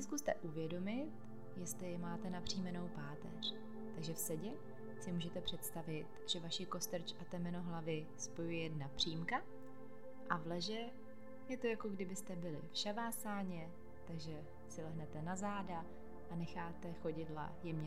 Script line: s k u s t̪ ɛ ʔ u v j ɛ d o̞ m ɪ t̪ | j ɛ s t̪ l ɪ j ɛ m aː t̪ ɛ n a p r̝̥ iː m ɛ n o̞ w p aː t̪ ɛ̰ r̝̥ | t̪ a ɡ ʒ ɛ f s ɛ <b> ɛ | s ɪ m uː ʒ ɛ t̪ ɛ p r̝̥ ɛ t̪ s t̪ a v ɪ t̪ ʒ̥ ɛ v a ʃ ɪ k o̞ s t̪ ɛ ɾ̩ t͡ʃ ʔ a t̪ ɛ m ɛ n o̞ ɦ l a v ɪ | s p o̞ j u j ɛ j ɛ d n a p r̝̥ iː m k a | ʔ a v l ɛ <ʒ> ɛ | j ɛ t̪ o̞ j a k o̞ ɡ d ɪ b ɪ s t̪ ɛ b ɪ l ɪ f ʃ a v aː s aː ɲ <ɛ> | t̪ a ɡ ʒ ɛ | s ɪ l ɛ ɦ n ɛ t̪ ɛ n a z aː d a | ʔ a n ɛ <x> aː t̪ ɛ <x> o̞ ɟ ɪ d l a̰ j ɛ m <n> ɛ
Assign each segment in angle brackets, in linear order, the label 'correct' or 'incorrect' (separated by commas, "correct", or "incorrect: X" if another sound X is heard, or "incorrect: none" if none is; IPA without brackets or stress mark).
incorrect: ɟ, correct, correct, correct, correct, incorrect: ɲ